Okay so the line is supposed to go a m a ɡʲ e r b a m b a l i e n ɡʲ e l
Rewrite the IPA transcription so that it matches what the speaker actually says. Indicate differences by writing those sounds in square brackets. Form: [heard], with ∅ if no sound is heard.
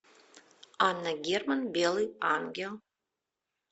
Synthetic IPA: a [n] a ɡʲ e r [m] a [n] b [e] l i [a] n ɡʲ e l

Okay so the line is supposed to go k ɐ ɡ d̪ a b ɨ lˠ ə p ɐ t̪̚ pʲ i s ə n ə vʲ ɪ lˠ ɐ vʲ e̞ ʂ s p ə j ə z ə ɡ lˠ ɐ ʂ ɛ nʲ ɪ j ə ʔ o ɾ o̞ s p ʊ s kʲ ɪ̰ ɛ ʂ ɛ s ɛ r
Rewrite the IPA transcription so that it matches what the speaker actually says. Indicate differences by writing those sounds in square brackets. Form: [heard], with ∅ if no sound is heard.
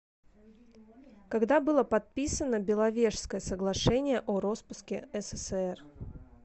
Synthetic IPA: k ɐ ɡ d̪ a b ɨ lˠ ə p ɐ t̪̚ pʲ i s ə n ə [bʲ] ɪ lˠ ɐ vʲ e̞ ʂ s [k] ə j ə [s] ə ɡ lˠ ɐ ʂ ɛ nʲ ɪ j ə ʔ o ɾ o̞ s p ʊ s kʲ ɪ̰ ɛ [s] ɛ s ɛ r

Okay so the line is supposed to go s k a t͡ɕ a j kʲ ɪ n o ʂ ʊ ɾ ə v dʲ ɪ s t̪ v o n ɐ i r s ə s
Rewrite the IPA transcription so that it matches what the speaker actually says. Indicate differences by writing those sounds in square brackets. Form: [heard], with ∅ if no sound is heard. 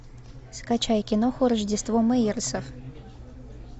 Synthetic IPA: s k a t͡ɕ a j kʲ ɪ n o [x] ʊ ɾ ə [ʐ] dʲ ɪ s t̪ v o [m] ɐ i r s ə [f]

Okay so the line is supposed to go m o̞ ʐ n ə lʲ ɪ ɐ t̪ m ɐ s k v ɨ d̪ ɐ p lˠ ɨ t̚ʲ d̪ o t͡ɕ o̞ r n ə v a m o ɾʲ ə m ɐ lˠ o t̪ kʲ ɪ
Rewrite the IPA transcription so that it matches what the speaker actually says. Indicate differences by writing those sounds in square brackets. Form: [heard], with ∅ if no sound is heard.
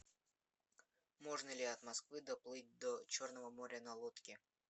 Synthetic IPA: m o̞ ʐ n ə lʲ ɪ ɐ t̪ m ɐ s k v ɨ d̪ ɐ p lˠ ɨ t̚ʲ d̪ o t͡ɕ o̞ r n ə v [ə] m o ɾʲ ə [n] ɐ lˠ o t̪ kʲ ɪ

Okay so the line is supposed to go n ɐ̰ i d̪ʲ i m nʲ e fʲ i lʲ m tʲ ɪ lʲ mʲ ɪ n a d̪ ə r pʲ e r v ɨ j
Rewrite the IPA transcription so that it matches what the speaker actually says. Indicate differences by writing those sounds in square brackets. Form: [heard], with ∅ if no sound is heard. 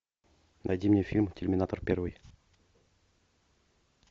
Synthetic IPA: n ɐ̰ [j] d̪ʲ i m nʲ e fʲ i lʲ m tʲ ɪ lʲ mʲ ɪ n a [t̪] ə r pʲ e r v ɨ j

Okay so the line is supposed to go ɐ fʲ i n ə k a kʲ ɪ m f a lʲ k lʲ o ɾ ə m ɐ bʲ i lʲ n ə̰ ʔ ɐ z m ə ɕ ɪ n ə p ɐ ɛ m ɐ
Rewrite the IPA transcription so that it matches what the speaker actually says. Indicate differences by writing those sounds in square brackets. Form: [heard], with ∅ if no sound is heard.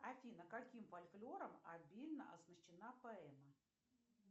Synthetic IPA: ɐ fʲ i n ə k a kʲ [i] m f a lʲ k lʲ o ɾ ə m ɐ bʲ i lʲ n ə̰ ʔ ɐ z [n] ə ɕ ɪ n [a] p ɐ ɛ m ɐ

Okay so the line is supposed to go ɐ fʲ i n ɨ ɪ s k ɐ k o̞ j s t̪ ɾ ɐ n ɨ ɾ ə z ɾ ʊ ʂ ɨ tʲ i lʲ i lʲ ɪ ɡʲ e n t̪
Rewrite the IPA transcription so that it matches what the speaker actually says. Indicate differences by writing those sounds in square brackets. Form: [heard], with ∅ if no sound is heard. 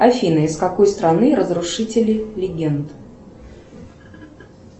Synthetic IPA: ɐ fʲ i n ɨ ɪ s k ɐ k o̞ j s t̪ ɾ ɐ n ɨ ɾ ə z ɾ ʊ ʂ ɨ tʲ [ɪ] lʲ [ɪ] lʲ ɪ ɡʲ e n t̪

